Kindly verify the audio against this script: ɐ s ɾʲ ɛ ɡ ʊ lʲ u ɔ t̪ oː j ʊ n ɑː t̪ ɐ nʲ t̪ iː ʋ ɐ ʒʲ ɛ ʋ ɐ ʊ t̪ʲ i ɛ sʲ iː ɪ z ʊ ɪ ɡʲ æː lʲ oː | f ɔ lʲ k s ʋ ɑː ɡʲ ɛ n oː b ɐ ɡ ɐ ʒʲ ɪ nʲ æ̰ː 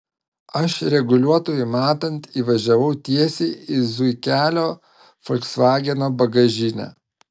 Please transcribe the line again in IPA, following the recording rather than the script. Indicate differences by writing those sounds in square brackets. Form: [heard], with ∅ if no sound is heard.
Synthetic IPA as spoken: ɐ [ʃ] ɾʲ ɛ ɡ ʊ lʲ u ɔ t̪ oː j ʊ [m] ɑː t̪ ɐ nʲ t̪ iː ʋ ɐ ʒʲ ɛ ʋ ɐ ʊ t̪ʲ i ɛ sʲ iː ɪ z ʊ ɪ [kʲ] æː lʲ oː | f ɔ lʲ k s ʋ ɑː ɡʲ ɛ n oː b ɐ ɡ ɐ ʒʲ ɪ nʲ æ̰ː